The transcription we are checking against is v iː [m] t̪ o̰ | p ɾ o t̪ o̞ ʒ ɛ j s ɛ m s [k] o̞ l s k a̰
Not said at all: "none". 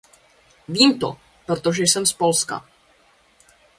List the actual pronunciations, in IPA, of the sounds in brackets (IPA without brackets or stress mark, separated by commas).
m, p